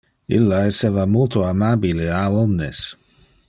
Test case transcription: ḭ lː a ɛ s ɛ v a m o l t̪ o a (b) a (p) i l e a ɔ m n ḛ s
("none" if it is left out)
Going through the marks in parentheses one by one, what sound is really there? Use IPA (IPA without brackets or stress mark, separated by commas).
m, b